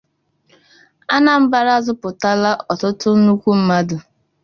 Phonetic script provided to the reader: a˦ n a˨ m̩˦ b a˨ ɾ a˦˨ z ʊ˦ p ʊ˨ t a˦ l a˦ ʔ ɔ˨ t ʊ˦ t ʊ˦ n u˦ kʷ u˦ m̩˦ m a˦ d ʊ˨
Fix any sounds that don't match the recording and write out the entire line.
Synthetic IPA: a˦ n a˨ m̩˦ b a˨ ɾ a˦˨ z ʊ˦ p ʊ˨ t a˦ l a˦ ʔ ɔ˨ t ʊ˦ t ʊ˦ n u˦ kʷ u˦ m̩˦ m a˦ d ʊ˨

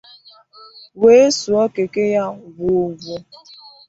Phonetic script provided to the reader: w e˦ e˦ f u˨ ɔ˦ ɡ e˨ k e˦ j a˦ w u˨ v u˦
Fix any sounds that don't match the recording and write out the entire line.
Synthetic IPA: w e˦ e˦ s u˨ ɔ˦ k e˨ k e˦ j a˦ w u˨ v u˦

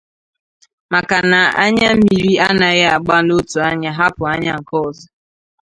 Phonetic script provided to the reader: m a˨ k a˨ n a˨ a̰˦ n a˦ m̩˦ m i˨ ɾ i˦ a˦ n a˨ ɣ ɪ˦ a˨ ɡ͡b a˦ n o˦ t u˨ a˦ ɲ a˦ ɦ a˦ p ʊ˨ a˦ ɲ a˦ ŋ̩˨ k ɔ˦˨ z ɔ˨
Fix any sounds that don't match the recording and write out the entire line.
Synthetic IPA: m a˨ k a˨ n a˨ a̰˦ ɲ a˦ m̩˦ m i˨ ɾ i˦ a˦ n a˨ ɣ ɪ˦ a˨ ɡ͡b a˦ n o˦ t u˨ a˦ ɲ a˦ ɦ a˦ p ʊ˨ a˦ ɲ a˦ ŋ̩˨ k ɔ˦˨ z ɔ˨

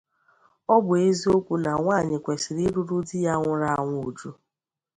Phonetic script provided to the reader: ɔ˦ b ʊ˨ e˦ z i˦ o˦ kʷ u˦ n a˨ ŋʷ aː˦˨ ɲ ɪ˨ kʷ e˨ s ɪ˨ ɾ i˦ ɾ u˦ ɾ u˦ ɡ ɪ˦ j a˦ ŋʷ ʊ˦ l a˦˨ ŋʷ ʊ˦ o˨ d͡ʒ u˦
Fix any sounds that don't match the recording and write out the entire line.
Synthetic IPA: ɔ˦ b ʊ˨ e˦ z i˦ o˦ kʷ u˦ n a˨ ŋʷ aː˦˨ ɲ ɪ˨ kʷ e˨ s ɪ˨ ɾ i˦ ɾ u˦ ɾ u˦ d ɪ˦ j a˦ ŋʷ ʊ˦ ɾ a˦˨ ŋʷ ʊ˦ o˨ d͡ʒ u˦

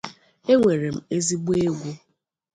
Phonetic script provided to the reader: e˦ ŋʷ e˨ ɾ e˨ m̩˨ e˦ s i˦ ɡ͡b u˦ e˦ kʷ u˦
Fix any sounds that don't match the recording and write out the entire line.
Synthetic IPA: e˦ ŋʷ e˨ ɾ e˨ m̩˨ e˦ z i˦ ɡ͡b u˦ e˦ ɡʷ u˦

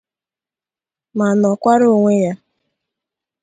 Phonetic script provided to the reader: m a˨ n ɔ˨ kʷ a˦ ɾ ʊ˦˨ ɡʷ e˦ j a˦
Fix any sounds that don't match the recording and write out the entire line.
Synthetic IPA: m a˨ n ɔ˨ kʷ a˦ ɾ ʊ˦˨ ŋʷ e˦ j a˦

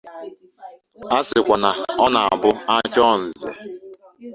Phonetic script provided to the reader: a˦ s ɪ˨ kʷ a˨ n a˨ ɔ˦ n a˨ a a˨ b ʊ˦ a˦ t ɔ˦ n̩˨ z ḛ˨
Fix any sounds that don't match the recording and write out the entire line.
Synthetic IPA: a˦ s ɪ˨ kʷ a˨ n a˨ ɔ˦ n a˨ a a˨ b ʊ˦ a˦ t͡ʃ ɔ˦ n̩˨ z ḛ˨

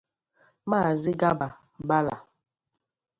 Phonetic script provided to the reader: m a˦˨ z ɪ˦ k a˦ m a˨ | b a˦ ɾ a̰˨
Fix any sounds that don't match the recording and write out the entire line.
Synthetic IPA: m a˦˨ z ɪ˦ ɡ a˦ b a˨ | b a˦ l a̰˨

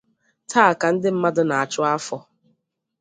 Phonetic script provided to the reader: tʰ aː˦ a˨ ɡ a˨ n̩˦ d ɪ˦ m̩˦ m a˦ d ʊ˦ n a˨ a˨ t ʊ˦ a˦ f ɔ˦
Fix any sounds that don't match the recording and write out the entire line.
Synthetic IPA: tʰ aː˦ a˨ k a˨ n̩˦ d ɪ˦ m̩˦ m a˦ d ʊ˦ n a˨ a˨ t͡ʃ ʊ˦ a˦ f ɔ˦

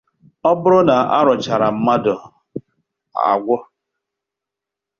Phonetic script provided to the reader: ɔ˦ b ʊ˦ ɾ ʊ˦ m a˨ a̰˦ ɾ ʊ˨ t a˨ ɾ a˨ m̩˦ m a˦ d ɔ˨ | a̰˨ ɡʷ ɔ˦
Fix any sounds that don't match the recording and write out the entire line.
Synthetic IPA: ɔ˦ b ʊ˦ ɾ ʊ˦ n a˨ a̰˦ ɾ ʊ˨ t͡ʃ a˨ ɾ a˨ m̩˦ m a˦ d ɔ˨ | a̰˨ ɡʷ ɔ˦

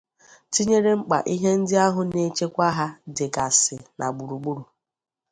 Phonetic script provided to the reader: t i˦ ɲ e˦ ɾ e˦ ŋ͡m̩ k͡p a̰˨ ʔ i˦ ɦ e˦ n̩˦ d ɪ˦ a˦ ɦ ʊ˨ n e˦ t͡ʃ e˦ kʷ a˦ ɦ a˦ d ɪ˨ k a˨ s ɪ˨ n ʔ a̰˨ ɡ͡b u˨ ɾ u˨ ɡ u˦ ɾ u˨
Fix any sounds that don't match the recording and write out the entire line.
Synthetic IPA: t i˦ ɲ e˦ ɾ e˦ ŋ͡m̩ k͡p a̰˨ ʔ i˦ ɦ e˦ n̩˦ d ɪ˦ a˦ ɦ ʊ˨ n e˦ t͡ʃ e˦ kʷ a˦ ɦ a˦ d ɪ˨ k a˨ s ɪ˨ n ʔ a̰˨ ɡ͡b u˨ ɾ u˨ ɡ͡b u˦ ɾ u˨

